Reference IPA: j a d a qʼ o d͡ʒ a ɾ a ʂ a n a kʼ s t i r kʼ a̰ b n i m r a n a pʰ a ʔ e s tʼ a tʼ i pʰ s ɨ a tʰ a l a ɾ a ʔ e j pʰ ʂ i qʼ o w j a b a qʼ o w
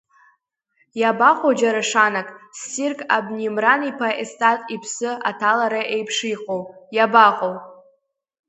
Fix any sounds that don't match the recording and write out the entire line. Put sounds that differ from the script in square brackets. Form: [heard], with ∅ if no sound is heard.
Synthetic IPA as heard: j a [b] a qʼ o d͡ʒ a ɾ a ʂ a n a kʼ s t i r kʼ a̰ b n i m r a n [i] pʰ a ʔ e s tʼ a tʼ i pʰ s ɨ a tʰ a l a ɾ a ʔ e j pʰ ʂ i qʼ o w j a b a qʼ o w